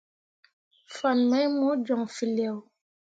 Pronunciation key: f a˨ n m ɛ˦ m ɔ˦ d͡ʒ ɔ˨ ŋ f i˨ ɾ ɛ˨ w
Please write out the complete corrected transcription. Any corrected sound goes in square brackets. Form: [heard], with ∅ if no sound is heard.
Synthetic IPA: f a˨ n m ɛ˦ m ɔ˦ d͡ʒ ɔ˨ ŋ f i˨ [l] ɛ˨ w